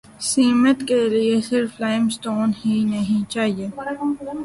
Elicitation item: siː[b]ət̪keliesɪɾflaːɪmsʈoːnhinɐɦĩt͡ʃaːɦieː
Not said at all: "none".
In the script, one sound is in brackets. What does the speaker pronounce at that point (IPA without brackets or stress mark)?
m